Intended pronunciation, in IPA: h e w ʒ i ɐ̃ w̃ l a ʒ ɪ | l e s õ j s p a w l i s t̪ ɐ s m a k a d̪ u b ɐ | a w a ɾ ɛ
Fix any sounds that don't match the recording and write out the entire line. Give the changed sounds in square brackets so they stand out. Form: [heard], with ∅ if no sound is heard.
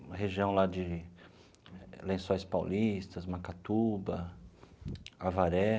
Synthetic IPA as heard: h e [∅] ʒ i ɐ̃ w̃ l a [d͡ʒ] ɪ | l [ẽ] s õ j s p a w l i s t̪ ɐ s m a k a [t̪] u b ɐ | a [v] a ɾ ɛ

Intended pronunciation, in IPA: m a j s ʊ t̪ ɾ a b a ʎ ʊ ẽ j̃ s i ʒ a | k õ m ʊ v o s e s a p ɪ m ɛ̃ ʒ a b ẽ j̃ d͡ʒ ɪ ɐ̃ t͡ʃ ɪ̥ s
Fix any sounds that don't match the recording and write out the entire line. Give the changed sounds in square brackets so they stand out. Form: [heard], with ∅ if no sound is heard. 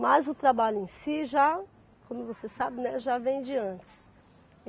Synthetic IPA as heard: m a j [z] ʊ t̪ ɾ a b a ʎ ʊ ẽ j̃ s i ʒ a | k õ m ʊ v o s e s a [b] ɪ [n] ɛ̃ ʒ a [v] ẽ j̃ d͡ʒ ɪ ɐ̃ t͡ʃ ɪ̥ s

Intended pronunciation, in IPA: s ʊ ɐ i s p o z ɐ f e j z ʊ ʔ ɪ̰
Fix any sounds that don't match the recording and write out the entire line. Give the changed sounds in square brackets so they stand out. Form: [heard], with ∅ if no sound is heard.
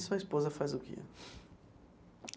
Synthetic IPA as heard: s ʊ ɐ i s p o z ɐ f [a] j z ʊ [k] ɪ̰

